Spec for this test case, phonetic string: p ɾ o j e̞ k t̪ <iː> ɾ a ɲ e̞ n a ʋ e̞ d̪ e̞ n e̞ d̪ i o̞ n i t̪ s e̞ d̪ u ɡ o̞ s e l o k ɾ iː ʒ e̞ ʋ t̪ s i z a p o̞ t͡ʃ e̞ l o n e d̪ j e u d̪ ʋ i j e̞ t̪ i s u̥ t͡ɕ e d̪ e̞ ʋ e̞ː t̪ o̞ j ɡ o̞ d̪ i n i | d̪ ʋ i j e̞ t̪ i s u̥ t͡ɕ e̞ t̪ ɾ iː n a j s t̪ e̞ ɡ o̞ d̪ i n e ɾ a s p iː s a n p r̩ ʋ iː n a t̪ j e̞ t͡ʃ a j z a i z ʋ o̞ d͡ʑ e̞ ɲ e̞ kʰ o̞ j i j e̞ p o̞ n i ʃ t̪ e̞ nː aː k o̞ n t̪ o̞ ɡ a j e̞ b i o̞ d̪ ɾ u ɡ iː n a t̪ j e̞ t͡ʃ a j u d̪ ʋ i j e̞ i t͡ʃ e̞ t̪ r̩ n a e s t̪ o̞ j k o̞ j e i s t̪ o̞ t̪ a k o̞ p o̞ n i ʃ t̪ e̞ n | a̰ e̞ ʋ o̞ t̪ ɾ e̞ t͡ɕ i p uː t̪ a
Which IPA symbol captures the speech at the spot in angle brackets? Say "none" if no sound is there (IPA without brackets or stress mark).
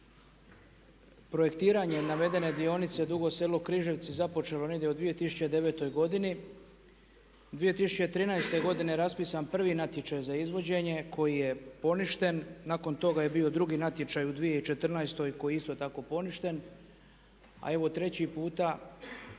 iː